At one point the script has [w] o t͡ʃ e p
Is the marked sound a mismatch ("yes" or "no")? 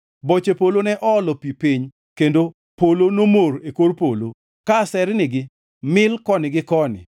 yes